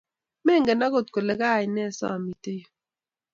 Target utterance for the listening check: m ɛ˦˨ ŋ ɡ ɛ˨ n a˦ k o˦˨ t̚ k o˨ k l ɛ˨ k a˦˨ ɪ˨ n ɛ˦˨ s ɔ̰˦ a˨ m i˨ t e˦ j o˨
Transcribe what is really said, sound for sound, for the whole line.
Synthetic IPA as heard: m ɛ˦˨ ŋ ɡ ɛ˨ n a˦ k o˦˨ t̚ k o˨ l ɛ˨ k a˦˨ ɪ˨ n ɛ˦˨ s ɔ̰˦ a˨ m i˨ t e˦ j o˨